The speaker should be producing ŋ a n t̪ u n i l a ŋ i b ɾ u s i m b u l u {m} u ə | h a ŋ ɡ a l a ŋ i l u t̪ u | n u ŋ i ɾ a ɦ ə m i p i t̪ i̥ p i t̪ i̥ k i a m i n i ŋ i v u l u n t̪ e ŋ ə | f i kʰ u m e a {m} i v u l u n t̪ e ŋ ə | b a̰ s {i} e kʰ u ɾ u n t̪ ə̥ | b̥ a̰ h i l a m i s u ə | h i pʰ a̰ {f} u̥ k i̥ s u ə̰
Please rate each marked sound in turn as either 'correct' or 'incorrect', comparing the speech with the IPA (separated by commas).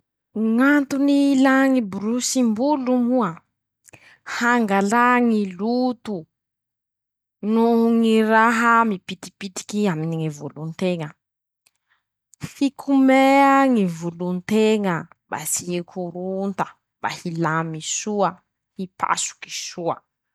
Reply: correct, incorrect, correct, incorrect